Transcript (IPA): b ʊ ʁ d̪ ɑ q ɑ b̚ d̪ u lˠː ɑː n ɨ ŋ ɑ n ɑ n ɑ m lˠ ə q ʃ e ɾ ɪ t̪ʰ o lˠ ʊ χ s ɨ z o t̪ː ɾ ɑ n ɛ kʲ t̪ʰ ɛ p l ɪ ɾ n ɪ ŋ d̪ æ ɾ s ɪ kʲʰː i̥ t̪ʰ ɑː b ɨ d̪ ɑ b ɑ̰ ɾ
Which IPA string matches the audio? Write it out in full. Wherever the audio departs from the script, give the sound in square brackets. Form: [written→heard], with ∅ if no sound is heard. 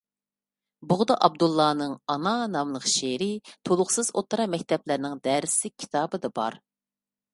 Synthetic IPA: b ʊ ʁ d̪ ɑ [q→ʔ] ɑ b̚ d̪ u lˠː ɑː n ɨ ŋ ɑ n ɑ n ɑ m lˠ ə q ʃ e ɾ ɪ t̪ʰ o lˠ ʊ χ s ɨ z o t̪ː ɾ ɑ [n→m] ɛ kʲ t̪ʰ ɛ p l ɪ ɾ n ɪ ŋ d̪ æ ɾ s ɪ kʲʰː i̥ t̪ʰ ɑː b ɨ d̪ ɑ b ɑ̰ ɾ